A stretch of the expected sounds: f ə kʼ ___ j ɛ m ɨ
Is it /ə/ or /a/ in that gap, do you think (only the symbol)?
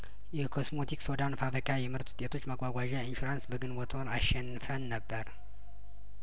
a